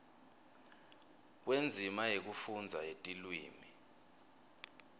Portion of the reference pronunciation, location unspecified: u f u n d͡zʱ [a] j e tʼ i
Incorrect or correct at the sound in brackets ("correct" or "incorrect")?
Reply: correct